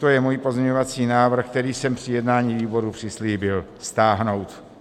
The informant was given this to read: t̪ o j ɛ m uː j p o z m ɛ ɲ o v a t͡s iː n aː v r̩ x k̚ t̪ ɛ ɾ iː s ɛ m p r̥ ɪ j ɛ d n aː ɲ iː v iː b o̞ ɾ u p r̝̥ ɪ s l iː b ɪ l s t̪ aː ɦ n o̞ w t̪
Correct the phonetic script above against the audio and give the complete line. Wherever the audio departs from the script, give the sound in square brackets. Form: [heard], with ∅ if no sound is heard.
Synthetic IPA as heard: t̪ o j ɛ m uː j p o z [ɲ] ɛ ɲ o v a t͡s iː n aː v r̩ x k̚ t̪ ɛ ɾ iː s ɛ m p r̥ ɪ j ɛ d n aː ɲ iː v iː b o̞ ɾ u p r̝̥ ɪ s l iː b ɪ l s t̪ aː ɦ n o̞ w t̪